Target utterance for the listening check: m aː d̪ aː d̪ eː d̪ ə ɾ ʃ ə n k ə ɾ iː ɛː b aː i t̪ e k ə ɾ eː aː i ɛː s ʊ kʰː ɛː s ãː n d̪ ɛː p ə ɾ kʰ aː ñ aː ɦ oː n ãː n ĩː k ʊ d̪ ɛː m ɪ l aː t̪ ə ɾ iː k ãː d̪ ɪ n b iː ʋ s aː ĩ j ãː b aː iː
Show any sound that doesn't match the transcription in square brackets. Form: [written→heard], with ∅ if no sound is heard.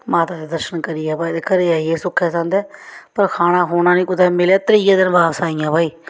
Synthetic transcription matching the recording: m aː [d̪→t̪] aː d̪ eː d̪ ə ɾ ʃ ə n k ə ɾ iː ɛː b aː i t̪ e k ə ɾ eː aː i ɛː s ʊ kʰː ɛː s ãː n d̪ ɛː p ə ɾ kʰ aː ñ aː ɦ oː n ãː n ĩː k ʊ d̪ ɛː m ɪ l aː t̪ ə ɾ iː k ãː d̪ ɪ n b [iː→aː] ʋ s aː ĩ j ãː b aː iː